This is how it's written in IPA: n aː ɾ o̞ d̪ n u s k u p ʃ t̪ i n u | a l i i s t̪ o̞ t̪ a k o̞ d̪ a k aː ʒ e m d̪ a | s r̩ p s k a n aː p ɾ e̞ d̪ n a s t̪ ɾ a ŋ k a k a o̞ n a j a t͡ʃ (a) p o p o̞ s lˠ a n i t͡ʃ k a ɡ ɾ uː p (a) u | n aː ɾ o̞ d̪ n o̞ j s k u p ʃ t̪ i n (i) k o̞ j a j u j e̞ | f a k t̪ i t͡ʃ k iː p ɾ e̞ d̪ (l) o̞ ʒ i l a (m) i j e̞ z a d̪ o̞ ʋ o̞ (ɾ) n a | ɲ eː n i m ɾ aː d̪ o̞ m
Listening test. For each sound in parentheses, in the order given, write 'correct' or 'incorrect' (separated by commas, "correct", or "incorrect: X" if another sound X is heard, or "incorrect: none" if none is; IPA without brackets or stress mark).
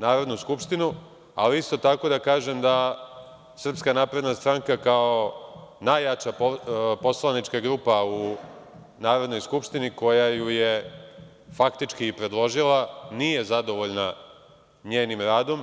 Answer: correct, correct, correct, correct, incorrect: n, incorrect: ʎ